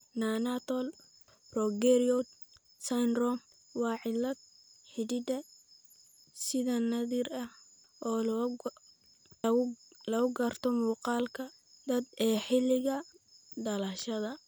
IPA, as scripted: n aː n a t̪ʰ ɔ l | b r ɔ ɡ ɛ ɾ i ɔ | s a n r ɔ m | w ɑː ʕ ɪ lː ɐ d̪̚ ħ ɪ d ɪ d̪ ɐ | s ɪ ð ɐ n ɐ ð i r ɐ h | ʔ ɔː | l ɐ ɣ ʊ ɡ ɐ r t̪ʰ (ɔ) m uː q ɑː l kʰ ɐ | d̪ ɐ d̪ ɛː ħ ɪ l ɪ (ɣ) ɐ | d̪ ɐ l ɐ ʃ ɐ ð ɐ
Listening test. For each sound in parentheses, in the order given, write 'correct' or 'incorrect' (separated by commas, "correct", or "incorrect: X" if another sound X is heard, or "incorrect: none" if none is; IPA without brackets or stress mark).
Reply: correct, correct